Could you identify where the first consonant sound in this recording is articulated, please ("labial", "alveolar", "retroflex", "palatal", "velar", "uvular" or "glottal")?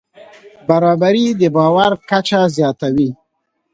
labial